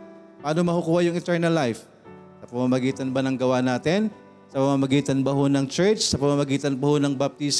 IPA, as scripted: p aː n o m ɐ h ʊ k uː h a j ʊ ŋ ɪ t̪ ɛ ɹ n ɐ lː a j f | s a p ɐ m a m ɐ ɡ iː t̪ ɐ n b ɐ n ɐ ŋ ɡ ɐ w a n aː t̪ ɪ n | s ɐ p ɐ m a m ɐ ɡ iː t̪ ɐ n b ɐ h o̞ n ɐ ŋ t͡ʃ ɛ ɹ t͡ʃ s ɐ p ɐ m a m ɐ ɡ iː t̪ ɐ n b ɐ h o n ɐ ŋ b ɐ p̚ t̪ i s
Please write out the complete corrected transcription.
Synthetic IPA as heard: p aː n o m ɐ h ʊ k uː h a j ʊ ŋ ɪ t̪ ɛ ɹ n ɐ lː a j f | s ɐ p ɐ m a m ɐ ɡ iː t̪ ɐ n b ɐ n ɐ ŋ ɡ ɐ w a n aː t̪ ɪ n | s ɐ p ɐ m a m ɐ ɡ iː t̪ ɐ n b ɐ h o̞ n ɐ ŋ t͡ʃ ɛ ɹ t͡ʃ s ɐ p ɐ m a m ɐ ɡ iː t̪ ɐ n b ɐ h o n ɐ ŋ b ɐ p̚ t̪ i s